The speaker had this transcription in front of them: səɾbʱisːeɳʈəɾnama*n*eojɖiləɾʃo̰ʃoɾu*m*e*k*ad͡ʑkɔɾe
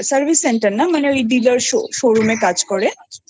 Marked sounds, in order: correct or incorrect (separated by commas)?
correct, correct, correct